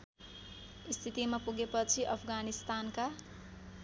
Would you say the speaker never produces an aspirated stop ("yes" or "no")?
no